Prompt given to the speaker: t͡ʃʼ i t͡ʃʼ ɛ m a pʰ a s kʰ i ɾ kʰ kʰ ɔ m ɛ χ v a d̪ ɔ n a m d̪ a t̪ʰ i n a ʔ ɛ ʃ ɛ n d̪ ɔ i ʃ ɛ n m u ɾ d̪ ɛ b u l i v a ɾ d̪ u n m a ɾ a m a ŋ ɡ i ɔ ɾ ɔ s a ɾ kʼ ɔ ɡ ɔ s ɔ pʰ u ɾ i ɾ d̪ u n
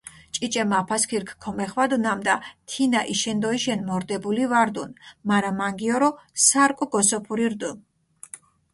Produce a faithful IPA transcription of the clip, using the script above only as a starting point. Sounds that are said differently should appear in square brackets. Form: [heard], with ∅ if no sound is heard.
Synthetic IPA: t͡ʃʼ i t͡ʃʼ ɛ m a pʰ a s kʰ i ɾ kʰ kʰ ɔ m ɛ χ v a d̪ [u] n a m d̪ a t̪ʰ i n a ʔ [i] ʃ ɛ n d̪ ɔ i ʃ ɛ n m [ɔ] ɾ d̪ ɛ b u l i v a ɾ d̪ u n m a ɾ a m a ŋ ɡ i ɔ ɾ ɔ s a ɾ kʼ ɔ ɡ ɔ s ɔ pʰ u ɾ i ɾ d̪ u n